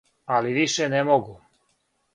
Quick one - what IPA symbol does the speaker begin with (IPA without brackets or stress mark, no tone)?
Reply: a